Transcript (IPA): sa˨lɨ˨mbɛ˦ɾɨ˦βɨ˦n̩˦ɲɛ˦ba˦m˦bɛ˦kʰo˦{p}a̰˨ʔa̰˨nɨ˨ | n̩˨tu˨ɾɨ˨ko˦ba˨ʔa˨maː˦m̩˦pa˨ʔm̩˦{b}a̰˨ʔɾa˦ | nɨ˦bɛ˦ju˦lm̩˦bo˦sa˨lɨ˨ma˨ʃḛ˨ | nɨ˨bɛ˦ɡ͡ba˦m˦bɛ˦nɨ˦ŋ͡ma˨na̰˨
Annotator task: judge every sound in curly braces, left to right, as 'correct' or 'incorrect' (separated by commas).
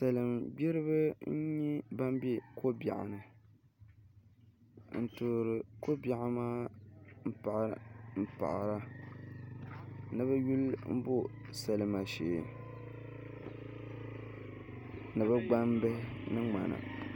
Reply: incorrect, incorrect